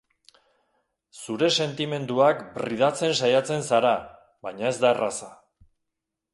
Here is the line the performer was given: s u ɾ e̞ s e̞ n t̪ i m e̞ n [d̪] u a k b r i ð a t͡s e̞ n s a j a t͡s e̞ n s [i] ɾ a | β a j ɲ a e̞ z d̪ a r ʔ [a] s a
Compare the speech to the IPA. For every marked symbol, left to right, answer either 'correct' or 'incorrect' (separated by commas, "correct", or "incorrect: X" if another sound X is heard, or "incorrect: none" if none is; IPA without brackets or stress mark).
correct, incorrect: a, correct